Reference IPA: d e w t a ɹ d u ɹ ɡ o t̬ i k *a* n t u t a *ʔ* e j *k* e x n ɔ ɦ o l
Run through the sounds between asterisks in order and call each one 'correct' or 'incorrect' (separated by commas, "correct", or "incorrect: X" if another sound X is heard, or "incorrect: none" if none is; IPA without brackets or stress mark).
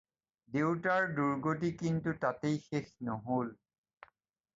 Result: incorrect: i, incorrect: t, incorrect: x